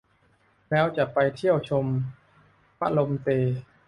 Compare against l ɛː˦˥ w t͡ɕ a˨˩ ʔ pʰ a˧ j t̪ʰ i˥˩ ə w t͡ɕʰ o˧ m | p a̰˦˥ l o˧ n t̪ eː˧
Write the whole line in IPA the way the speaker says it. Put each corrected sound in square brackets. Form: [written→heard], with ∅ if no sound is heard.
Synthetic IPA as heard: l ɛː˦˥ w t͡ɕ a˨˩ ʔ [pʰ→p] a˧ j t̪ʰ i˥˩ ə w t͡ɕʰ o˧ m | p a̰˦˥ l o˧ [n→m] t̪ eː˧